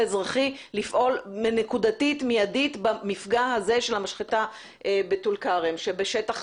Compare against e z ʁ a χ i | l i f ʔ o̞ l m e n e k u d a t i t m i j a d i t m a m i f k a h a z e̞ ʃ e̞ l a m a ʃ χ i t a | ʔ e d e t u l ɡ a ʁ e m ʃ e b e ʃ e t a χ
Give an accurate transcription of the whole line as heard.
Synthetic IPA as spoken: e z ʁ a χ i | l i f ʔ o̞ l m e n e k u d a t i t m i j a d i t b a m i f ɡ a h a z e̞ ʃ e̞ l a m a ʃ χ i t a | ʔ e b e t u l k a ʁ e m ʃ e b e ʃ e t a χ